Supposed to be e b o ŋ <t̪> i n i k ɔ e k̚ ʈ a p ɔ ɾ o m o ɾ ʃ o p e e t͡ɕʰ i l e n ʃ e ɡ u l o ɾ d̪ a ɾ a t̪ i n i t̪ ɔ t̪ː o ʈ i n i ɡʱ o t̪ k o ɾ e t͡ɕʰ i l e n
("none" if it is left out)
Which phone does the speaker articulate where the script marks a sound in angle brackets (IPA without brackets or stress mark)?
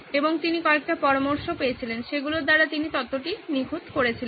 t̪